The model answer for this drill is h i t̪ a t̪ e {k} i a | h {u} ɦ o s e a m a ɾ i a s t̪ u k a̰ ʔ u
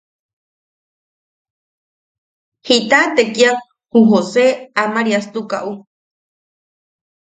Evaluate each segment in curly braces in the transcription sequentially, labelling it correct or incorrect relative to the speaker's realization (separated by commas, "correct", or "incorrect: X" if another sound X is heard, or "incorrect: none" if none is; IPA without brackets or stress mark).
correct, correct